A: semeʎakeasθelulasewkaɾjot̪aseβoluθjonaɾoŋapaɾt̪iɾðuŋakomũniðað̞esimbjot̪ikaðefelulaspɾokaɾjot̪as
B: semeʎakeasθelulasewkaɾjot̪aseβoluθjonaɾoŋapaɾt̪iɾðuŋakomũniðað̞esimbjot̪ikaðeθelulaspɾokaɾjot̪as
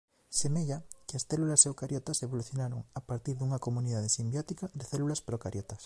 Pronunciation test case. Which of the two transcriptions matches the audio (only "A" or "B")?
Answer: B